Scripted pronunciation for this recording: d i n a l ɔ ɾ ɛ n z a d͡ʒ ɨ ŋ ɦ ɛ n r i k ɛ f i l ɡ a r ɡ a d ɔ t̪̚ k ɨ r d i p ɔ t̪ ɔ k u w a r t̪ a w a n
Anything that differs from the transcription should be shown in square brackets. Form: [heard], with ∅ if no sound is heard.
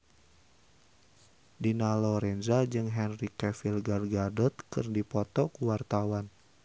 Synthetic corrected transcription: d i n a l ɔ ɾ ɛ n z a d͡ʒ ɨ ŋ ɦ ɛ n r i k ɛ f i l ɡ a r ɡ a d ɔ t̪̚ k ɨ r d i p ɔ t̪ ɔ k u w a r t̪ a w a n